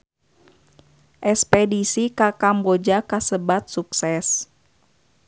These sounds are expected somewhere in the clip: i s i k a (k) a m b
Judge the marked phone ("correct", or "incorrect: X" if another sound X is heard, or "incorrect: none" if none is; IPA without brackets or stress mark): correct